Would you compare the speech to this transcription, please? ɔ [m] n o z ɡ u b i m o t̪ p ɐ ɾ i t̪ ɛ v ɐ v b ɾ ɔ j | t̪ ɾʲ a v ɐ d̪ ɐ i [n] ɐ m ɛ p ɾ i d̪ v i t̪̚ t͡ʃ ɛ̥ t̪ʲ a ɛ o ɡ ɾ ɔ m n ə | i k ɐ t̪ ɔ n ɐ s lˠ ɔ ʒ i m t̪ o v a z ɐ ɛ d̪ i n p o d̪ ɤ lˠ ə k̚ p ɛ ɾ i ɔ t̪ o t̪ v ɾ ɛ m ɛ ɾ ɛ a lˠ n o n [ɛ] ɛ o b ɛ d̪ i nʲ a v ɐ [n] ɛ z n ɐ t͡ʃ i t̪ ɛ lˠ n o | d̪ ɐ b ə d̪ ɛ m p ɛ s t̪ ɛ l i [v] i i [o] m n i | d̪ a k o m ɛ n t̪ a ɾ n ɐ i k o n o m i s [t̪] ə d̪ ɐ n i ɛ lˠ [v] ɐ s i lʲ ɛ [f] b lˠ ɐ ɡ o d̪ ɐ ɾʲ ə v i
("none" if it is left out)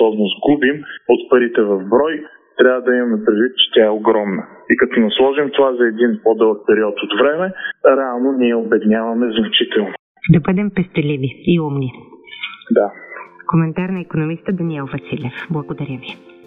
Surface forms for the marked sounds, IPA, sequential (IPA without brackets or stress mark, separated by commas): b, m, i, m, v, u, t̪, v, f